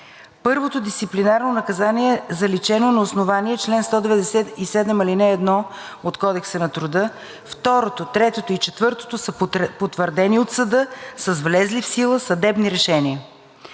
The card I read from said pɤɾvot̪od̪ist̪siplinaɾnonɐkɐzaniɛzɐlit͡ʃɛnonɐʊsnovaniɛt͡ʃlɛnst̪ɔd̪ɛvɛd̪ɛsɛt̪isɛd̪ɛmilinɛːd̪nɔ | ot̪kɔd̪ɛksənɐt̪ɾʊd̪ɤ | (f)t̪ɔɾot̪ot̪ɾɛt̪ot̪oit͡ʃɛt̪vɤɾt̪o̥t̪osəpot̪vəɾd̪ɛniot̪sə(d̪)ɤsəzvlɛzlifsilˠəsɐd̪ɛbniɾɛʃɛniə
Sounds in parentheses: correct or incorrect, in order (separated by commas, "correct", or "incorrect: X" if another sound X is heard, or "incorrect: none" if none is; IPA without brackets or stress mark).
correct, correct